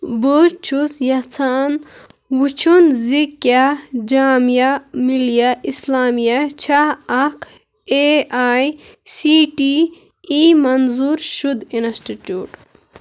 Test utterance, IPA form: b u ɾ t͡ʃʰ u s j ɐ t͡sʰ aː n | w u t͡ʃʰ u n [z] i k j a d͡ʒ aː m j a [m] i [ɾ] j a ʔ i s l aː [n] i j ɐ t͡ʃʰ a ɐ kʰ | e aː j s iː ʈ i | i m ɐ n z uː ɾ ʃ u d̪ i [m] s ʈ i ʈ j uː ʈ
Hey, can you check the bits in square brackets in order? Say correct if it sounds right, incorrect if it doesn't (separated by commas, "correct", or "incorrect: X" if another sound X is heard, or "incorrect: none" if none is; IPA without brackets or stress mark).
correct, correct, incorrect: l, incorrect: m, incorrect: n